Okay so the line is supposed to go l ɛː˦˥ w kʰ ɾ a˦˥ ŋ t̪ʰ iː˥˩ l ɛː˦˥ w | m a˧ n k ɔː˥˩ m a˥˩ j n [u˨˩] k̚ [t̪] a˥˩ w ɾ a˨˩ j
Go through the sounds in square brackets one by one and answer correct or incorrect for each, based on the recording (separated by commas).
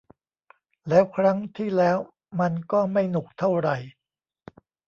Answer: correct, incorrect